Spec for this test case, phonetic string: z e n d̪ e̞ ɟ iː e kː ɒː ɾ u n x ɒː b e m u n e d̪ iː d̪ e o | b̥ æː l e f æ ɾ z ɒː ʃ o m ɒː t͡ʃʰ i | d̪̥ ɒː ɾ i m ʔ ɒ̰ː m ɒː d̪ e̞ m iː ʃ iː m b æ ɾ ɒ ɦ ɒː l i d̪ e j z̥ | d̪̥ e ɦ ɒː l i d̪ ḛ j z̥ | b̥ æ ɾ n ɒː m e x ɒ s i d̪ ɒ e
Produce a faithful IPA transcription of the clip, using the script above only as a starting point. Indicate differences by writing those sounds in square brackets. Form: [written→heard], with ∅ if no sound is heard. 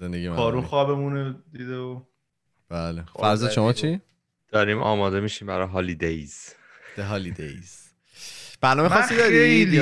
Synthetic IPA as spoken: z e n d̪ e̞ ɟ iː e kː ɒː ɾ u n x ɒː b e m u n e d̪ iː d̪ e o | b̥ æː l e f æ ɾ z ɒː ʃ o m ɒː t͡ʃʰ i | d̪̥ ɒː ɾ i m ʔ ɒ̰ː m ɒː d̪ e̞ m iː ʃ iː m b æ ɾ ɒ ɦ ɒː l i d̪ e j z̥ | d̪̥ e ɦ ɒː l i d̪ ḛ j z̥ | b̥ æ ɾ n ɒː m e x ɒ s i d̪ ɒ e